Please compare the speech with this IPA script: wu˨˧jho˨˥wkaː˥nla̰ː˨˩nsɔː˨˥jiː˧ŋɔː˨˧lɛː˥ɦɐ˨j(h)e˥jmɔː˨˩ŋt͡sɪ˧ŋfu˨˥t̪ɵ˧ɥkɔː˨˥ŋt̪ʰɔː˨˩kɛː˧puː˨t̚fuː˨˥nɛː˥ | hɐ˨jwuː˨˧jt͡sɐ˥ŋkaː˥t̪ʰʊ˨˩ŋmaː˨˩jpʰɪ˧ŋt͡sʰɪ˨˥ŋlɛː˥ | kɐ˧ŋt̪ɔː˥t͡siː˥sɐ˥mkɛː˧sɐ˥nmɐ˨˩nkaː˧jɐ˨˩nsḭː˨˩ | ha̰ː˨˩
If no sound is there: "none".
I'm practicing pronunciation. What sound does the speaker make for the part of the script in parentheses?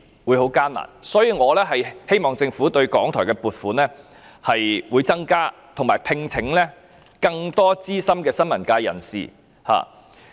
h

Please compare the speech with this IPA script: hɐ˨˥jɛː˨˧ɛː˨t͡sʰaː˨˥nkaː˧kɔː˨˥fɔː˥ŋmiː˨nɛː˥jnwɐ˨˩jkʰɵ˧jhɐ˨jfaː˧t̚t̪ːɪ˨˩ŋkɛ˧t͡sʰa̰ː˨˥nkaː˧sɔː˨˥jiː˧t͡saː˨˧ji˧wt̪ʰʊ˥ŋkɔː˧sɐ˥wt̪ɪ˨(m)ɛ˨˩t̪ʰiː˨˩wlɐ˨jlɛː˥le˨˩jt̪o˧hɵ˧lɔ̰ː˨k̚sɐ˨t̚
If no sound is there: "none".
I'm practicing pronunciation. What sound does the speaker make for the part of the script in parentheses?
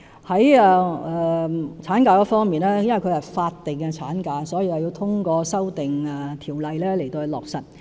ŋ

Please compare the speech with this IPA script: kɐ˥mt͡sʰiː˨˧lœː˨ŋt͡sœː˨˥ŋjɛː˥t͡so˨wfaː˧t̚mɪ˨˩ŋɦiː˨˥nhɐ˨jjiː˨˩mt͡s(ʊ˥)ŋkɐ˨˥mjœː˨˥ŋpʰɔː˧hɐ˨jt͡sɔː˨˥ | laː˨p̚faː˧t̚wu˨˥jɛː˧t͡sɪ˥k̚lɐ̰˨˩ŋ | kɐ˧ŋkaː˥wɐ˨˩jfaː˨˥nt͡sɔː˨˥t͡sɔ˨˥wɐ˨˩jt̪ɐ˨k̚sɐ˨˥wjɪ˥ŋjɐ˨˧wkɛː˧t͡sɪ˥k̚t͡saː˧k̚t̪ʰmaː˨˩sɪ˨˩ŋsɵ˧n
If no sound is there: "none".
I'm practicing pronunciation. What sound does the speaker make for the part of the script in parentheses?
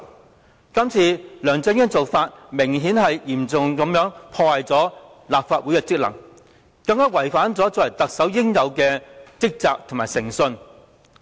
ʊ˨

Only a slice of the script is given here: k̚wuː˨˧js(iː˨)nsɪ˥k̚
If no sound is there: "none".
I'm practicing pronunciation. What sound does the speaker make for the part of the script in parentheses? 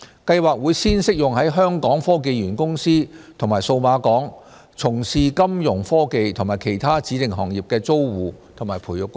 iː˥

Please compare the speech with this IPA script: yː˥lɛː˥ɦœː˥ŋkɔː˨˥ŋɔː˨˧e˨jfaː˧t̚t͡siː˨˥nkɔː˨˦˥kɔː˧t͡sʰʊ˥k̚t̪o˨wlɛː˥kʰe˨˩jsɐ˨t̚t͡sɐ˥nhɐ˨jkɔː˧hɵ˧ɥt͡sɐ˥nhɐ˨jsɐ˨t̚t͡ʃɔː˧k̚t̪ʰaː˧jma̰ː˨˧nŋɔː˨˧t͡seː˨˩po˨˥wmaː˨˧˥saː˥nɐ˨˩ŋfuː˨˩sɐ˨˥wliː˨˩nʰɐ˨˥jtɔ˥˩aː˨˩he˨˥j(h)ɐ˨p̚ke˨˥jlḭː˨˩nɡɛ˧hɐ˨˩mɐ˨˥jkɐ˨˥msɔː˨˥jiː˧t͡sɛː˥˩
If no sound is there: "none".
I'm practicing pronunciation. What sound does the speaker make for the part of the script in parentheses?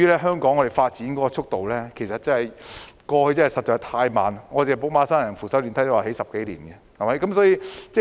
s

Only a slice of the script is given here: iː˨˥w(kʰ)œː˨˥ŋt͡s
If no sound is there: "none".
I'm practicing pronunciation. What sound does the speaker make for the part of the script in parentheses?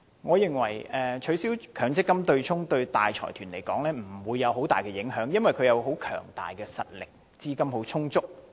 kʰ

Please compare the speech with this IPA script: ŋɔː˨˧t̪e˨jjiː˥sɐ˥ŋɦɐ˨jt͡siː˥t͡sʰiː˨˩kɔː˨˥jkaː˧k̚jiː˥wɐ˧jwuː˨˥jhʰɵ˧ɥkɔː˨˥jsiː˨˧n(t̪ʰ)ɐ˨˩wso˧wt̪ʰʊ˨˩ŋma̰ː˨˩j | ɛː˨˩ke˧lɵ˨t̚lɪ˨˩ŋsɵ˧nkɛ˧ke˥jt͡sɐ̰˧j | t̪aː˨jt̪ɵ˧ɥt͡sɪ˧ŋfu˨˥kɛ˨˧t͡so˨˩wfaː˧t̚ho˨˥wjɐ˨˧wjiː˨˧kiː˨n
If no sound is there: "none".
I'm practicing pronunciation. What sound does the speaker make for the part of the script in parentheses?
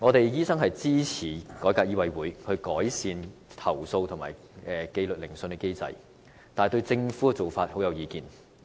t̪ʰ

